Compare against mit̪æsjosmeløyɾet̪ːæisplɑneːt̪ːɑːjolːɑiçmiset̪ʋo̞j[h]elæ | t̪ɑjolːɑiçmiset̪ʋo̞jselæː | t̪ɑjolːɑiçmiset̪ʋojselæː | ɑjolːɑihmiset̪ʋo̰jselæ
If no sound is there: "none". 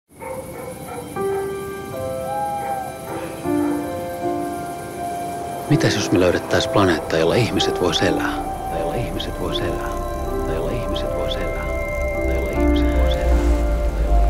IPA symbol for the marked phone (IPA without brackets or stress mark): s